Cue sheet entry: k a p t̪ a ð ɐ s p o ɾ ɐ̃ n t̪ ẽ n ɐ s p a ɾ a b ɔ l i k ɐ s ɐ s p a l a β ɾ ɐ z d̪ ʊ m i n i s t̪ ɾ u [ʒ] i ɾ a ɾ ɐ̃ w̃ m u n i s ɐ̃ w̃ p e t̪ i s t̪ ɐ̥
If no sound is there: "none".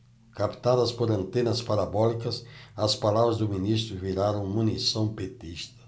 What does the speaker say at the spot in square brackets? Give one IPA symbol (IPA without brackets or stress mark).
v